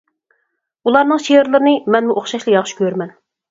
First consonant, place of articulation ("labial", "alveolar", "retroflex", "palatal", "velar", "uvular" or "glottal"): alveolar